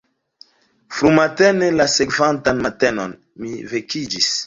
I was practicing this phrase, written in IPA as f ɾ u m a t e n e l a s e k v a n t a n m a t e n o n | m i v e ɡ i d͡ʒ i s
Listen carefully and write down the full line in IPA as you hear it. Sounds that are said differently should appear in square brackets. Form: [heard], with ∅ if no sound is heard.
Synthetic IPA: f ɾ u m a t e n e l a s e k v a n t a n m a t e n o n | m i v e [k] i d͡ʒ i s